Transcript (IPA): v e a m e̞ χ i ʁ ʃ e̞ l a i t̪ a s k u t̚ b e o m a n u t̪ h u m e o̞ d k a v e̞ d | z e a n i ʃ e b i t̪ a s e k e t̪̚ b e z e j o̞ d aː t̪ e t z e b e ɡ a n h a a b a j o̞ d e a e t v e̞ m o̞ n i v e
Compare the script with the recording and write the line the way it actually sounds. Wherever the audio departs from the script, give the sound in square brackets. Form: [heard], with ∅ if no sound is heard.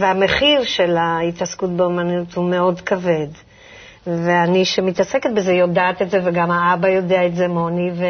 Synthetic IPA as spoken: v e a m e̞ χ i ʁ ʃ e̞ l a i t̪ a s k u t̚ b e o m a n u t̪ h u m e o̞ d k a v e̞ d | [v] e a n i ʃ e [m] i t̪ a s e k e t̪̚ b e z e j o̞ d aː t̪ e t z e [v] e ɡ a [m] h a a b a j o̞ d e a e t [z] e̞ m o̞ n i v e